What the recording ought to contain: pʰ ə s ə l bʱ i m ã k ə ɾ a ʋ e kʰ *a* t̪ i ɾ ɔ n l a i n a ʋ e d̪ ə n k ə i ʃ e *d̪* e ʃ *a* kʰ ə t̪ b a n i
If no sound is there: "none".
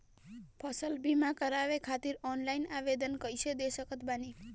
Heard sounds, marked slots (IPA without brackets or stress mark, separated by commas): a, d̪, ə